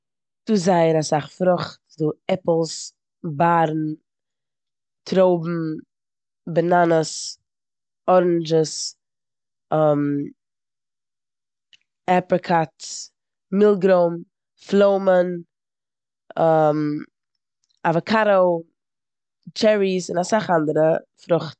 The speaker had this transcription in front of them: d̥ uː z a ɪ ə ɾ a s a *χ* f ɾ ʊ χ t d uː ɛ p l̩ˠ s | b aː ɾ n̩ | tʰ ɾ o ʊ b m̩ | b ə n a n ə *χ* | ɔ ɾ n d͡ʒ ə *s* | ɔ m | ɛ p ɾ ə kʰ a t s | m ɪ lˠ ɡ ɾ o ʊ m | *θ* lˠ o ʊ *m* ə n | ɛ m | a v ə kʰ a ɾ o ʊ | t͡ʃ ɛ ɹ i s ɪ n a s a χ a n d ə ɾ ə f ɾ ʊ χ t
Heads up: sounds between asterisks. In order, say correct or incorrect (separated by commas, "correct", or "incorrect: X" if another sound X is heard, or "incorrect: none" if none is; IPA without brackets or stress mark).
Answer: correct, incorrect: s, correct, incorrect: f, correct